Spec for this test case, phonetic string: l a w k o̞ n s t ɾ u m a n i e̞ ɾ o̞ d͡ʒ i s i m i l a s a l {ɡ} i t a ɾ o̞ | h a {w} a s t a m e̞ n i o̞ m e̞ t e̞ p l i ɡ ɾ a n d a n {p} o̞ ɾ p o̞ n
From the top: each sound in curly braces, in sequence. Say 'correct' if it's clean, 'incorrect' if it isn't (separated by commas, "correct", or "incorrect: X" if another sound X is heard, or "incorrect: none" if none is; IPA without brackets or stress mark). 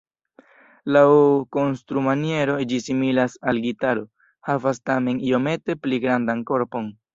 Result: correct, incorrect: v, incorrect: k